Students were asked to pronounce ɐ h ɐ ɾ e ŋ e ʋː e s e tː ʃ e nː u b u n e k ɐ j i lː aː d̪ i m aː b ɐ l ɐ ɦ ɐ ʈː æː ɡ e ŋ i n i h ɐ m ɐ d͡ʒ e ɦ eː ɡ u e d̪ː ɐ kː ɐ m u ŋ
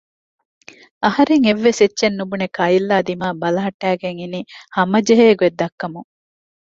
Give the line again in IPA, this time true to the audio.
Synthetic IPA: ɐ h ɐ ɾ e ŋ e ʋː e s e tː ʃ e nː u b u n e k ɐ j i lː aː d̪ i m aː b ɐ l ɐ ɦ ɐ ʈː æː ɡ e ŋ i n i h ɐ m ɐ d͡ʒ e ɦ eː ɡ u e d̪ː ɐ kː ɐ m u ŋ